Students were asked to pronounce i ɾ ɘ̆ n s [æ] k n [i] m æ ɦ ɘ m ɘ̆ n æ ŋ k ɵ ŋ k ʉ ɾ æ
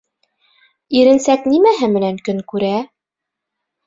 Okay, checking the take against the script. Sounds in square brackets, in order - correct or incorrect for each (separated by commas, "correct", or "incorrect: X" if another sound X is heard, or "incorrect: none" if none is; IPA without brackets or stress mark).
correct, correct